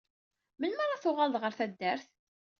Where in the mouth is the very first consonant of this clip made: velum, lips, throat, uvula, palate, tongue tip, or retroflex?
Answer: lips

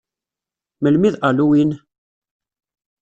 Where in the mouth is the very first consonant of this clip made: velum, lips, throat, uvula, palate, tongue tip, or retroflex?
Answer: lips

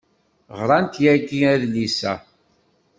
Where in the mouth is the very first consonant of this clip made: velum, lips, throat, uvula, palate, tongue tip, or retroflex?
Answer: uvula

